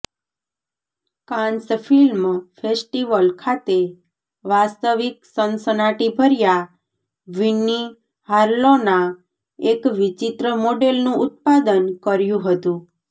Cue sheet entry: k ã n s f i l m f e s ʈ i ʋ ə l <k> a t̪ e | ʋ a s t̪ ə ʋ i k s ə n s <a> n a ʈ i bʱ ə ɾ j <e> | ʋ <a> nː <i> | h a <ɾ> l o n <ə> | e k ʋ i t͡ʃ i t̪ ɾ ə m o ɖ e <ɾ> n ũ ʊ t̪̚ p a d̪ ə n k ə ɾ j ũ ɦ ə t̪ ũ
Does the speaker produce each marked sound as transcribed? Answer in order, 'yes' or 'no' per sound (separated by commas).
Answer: no, no, no, no, yes, yes, no, no